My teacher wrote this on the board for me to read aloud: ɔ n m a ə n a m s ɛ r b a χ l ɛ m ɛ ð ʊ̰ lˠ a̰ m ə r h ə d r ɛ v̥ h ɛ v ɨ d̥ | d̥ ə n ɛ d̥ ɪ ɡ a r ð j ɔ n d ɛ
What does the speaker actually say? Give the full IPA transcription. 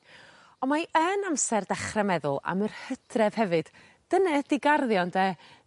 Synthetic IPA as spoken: ɔ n m a ə n a m s ɛ r d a χ r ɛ m ɛ ð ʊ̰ lˠ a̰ m ə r h ə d r ɛ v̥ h ɛ v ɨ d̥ | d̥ ə n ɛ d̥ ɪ ɡ a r ð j ɔ n d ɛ